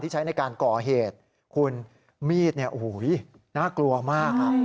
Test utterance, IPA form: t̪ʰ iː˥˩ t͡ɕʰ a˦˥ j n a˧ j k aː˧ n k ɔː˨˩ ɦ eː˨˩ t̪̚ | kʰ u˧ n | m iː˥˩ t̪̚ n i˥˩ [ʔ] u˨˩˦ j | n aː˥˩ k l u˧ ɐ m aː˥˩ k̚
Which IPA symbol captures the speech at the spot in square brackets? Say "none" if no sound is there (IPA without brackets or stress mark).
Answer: ʔ